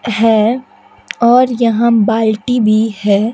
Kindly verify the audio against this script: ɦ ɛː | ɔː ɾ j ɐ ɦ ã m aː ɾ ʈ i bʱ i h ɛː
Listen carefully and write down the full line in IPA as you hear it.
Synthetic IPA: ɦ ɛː | ɔː ɾ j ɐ ɦ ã b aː l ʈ i bʱ i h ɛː